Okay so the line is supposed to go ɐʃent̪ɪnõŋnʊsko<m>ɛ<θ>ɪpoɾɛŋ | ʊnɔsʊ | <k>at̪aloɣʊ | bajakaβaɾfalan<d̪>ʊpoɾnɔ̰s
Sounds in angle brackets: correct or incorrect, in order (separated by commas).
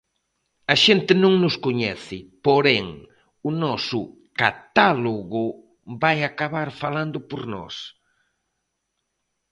incorrect, correct, correct, correct